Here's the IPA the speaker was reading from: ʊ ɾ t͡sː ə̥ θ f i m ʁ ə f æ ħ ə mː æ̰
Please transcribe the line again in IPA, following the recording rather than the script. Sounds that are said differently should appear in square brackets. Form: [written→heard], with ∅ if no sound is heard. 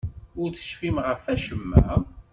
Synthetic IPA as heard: ʊ ɾ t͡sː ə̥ [θ→ʃ] f i m ʁ ə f æ [ħ→ʃ] ə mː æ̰